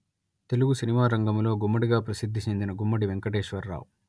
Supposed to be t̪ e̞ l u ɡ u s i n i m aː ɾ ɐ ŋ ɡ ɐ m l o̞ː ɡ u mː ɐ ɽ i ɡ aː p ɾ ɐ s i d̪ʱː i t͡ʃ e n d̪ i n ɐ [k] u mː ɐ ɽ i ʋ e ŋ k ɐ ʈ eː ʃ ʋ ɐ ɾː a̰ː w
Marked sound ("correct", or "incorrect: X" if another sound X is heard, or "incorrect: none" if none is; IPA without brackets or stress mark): incorrect: ɡ